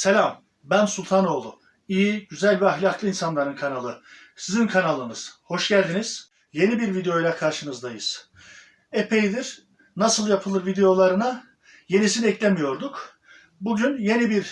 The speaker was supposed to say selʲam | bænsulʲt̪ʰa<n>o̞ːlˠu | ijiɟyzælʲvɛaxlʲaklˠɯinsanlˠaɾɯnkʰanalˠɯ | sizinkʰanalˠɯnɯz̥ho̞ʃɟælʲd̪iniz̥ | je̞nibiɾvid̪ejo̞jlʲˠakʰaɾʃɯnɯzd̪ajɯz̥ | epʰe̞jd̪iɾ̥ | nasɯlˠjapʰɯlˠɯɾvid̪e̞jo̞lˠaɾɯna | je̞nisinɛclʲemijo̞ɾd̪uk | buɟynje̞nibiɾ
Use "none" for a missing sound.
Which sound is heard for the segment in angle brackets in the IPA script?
n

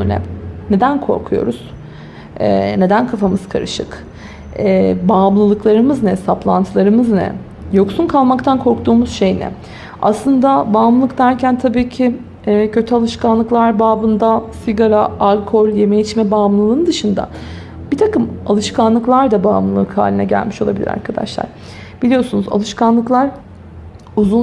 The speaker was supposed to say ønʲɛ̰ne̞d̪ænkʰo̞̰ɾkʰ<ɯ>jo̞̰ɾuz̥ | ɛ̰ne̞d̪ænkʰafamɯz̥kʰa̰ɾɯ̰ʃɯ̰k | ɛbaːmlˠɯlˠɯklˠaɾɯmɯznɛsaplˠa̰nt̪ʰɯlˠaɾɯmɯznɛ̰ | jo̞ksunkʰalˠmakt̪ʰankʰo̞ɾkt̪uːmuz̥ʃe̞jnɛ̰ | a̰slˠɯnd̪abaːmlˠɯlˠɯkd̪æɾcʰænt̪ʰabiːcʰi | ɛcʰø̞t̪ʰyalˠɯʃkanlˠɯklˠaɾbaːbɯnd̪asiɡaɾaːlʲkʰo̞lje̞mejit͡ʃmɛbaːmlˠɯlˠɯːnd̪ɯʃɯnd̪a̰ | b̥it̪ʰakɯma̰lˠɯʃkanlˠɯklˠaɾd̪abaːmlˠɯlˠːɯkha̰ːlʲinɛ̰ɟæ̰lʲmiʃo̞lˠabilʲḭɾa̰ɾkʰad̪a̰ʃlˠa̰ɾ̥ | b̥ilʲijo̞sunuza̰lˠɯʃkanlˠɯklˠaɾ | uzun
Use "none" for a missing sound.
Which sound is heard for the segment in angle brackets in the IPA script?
u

